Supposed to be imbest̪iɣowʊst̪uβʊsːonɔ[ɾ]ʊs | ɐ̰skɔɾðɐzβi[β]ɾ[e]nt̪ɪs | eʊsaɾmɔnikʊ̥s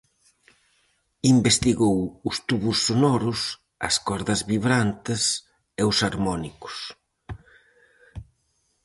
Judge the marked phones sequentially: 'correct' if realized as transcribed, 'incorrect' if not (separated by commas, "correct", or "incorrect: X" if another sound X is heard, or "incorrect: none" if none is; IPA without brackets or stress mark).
correct, correct, incorrect: a